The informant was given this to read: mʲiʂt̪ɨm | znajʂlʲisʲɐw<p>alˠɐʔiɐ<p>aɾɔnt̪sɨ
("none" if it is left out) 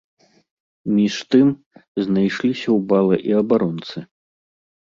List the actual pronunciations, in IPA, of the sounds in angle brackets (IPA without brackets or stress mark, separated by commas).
b, b